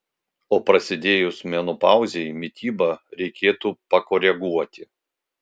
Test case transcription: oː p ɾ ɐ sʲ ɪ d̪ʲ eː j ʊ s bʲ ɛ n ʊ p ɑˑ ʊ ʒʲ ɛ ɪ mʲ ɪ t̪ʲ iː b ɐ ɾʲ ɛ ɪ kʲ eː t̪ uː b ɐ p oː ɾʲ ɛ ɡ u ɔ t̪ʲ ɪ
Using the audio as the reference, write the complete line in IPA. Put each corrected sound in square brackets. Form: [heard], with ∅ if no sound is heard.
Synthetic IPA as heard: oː p ɾ ɐ sʲ ɪ d̪ʲ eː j ʊ s [mʲ] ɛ n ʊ p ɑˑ ʊ [zʲ] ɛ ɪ mʲ ɪ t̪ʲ iː b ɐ ɾʲ ɛ ɪ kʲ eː t̪ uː [p] ɐ [k] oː ɾʲ ɛ ɡ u ɔ t̪ʲ ɪ